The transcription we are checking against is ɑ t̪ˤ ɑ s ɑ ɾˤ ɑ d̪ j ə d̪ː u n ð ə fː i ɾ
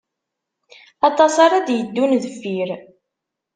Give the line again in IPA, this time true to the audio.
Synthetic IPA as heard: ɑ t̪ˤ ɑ s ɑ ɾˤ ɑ d̪ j ə d̪ː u n ð ə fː i ɾ